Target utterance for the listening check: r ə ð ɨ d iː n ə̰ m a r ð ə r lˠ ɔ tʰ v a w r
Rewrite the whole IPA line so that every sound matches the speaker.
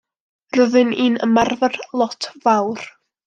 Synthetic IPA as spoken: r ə ð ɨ n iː n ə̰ m a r v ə r lˠ ɔ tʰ v a w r